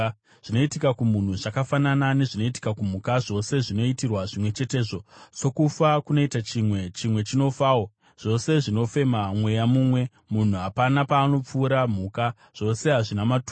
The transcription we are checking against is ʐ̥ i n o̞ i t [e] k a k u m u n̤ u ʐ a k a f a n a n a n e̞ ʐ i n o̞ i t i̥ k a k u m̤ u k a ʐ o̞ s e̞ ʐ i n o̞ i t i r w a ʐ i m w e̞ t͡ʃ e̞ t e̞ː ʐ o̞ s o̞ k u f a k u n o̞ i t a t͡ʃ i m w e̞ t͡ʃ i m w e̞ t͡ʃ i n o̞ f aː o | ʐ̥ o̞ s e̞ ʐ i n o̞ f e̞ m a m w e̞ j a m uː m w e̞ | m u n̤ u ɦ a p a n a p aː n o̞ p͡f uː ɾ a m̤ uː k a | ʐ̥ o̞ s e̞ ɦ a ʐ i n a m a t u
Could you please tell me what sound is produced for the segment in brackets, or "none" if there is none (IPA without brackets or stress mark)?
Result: i